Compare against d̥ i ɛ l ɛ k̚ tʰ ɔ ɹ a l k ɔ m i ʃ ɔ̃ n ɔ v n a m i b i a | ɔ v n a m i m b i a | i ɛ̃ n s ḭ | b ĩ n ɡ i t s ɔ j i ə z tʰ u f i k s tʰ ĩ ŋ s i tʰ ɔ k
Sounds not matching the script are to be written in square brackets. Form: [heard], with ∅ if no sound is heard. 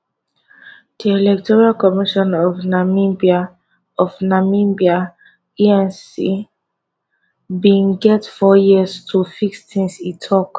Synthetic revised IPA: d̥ i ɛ l ɛ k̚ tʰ ɔ ɹ a l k ɔ m i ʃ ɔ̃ n ɔ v n a m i b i a | ɔ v n a m i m b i a | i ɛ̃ n s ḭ | b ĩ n ɡ [ɛ] t [f] ɔ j i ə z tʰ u f i k s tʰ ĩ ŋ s i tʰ ɔ k